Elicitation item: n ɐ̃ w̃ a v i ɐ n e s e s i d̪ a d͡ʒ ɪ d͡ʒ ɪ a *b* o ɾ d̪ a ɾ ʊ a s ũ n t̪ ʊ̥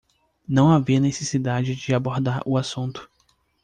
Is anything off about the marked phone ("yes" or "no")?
no